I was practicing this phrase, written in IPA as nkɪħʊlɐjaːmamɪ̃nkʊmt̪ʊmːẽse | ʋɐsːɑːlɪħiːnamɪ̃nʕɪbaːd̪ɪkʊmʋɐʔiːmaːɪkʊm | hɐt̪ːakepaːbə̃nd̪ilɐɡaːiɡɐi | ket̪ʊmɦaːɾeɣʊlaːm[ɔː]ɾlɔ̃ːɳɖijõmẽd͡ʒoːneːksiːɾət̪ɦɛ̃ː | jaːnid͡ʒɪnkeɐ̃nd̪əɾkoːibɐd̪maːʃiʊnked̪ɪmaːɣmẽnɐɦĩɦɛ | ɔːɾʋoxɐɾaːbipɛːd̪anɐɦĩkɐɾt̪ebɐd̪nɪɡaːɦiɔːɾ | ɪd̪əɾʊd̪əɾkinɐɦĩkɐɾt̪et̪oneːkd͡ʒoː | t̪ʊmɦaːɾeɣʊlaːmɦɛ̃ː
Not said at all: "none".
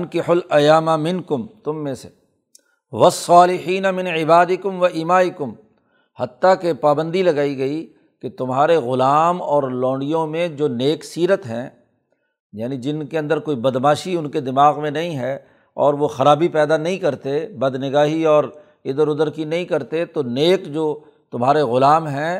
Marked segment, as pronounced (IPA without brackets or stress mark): ɔː